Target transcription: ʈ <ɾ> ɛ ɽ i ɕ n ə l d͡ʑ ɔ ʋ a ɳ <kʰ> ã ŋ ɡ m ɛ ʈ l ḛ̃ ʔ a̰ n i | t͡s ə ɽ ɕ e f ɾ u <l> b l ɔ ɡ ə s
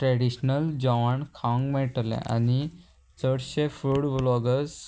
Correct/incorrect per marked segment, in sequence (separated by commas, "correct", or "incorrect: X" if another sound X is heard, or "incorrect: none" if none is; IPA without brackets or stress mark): correct, correct, incorrect: ɽ